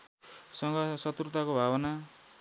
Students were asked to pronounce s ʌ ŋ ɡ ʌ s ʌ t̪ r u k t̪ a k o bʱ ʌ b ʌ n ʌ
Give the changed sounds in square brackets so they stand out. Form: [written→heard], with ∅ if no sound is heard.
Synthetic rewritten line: s ʌ ŋ ɡ ʌ s ʌ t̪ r u [k→∅] t̪ a k o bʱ [ʌ→a] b ʌ n [ʌ→a]

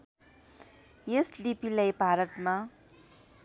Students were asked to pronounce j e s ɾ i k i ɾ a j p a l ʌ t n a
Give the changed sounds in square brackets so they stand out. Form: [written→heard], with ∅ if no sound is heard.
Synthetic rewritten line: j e s [ɾ→l] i [k→p] i [ɾ→l] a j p a [l→ɾ] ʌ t [n→m] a

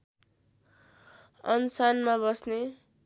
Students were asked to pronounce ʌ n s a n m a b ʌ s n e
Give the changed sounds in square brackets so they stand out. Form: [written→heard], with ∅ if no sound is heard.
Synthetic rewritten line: ʌ n s a n m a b ʌ s n e

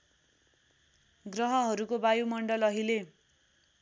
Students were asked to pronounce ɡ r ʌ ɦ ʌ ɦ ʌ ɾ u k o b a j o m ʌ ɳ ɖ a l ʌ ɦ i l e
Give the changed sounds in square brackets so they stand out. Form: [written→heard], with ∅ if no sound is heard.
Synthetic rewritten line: ɡ r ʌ ɦ ʌ ɦ ʌ ɾ u k o b a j [o→u] m ʌ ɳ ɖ [a→ʌ] l ʌ ɦ i l e

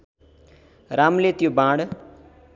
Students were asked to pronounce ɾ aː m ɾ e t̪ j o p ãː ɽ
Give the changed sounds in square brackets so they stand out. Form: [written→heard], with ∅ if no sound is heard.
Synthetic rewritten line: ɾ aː m [ɾ→l] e t̪ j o [p→b] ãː ɽ

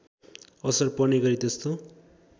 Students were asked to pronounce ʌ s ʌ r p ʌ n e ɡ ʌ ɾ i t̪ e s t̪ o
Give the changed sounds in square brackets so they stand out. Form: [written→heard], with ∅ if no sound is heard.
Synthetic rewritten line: ʌ s ʌ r p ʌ n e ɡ ʌ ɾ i t̪ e s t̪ o

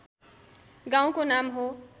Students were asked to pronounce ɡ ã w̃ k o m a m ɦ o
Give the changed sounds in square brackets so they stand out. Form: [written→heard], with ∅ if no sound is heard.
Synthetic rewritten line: ɡ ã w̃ k o [m→n] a m ɦ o

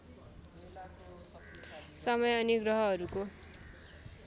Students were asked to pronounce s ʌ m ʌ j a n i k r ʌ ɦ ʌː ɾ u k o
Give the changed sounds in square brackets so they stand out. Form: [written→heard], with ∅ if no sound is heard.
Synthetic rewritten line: s ʌ m ʌ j [a→ʌ] n i [k→ɡ] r ʌ ɦ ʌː ɾ u k o

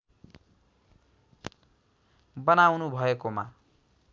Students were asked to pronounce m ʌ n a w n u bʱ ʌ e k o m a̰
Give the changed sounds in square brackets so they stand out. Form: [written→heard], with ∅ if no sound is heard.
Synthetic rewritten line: [m→b] ʌ n a w n u bʱ ʌ e k o m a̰

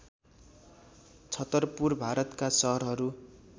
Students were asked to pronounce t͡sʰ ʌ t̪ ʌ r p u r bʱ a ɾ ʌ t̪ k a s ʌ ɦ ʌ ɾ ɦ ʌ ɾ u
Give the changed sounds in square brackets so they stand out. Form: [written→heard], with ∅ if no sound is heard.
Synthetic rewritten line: t͡sʰ ʌ t̪ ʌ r p u r bʱ a ɾ ʌ t̪ k a s ʌ ɦ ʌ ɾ ɦ ʌ ɾ u

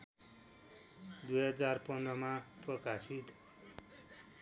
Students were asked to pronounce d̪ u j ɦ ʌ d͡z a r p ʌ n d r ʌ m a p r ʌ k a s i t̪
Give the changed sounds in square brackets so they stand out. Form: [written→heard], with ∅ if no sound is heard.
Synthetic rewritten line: d̪ u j ɦ ʌ d͡z a r p ʌ n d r ʌ m a p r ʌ k a s i t̪

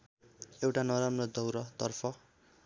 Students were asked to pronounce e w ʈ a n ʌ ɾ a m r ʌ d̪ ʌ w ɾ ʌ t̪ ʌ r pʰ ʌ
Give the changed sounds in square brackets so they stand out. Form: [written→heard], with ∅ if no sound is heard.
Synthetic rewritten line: e w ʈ a n ʌ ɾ a m r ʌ d̪ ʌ w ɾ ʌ t̪ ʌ r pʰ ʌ

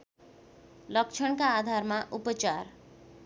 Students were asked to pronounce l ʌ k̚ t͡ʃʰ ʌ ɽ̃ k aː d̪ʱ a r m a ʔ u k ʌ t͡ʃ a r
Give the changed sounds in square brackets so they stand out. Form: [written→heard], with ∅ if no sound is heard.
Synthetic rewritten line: l ʌ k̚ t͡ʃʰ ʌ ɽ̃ k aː d̪ʱ a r m a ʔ u [k→p] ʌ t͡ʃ a r

